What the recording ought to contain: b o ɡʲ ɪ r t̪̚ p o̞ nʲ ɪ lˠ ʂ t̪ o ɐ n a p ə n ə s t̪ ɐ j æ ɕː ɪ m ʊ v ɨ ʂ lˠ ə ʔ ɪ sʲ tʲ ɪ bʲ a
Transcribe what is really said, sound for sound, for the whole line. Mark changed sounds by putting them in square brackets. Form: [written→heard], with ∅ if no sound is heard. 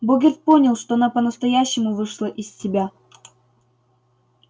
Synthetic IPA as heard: b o ɡʲ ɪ r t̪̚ p o̞ nʲ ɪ lˠ ʂ t̪ o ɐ n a p ə n ə s t̪ ɐ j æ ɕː ɪ m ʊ v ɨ ʂ lˠ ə ʔ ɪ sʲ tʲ ɪ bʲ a